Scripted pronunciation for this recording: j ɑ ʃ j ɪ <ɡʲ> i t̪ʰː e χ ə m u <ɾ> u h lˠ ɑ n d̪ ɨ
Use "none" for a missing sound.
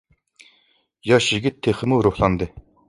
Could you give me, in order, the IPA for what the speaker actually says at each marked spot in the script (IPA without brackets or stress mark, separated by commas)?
ɡʲ, ɾ